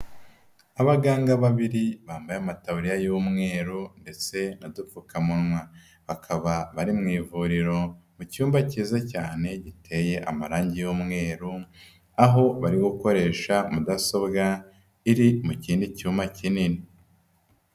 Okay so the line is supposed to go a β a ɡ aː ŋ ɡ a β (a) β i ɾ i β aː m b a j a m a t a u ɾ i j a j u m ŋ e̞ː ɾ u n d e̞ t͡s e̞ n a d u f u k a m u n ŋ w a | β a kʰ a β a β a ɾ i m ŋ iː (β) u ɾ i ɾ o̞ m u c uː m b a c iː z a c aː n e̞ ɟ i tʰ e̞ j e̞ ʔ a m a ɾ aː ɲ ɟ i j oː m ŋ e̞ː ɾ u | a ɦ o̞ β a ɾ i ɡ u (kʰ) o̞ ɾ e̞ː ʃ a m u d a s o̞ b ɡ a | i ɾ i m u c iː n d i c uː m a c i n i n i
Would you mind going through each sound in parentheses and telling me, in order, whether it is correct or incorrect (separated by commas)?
correct, incorrect, incorrect